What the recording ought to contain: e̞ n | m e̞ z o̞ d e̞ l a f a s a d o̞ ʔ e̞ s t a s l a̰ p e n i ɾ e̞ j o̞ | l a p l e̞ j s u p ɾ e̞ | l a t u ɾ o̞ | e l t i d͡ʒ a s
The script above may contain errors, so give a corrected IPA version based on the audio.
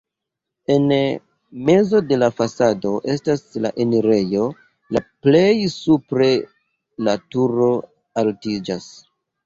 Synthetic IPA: e̞ n | m e̞ z o̞ d e̞ l a f a s a d o̞ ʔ e̞ s t a s l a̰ ʔ e n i ɾ e̞ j o̞ | l a p l e̞ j s u p ɾ e̞ | l a t u ɾ o̞ | a l t i d͡ʒ a s